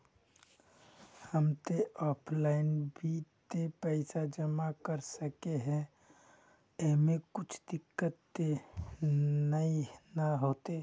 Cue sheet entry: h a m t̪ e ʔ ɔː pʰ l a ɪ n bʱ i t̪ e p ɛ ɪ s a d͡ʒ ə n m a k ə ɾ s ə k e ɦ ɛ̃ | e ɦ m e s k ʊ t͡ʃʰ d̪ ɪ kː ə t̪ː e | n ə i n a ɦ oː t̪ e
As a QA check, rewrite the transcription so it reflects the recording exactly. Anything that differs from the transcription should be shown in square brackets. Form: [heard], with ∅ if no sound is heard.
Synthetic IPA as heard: h [ə] m t̪ e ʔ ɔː pʰ l a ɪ n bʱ i t̪ e p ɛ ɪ s a d͡ʒ ə [∅] m a k ə ɾ s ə k e ɦ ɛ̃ | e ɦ m e [∅] k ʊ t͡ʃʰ d̪ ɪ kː ə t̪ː e | n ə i n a ɦ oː t̪ e